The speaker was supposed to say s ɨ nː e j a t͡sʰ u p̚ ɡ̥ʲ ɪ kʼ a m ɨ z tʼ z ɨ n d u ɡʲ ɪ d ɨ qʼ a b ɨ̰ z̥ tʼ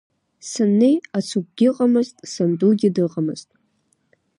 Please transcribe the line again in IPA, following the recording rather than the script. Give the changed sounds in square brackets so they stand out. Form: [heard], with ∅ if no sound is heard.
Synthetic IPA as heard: s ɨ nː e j a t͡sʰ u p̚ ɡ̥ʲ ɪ [qʼ] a m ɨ z tʼ [s] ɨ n d u ɡʲ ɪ d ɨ qʼ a [m] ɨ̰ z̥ tʼ